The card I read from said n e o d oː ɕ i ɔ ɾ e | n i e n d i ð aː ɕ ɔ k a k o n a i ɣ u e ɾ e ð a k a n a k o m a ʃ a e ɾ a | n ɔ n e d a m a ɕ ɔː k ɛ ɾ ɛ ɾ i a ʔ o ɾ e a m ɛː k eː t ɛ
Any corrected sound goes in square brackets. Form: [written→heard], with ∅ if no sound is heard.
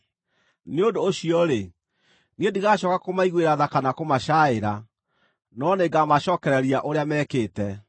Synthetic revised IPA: n e o d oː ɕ i ɔ ɾ e | n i e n d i [ð→ɣ] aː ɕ ɔ k a k o [n→m] a i ɣ [u→w] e ɾ [e→a] ð a k a n a k o m a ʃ a e ɾ a | n ɔ n e [d→ɡ] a m a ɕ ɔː k ɛ ɾ ɛ ɾ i a ʔ o ɾ e a m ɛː k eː t ɛ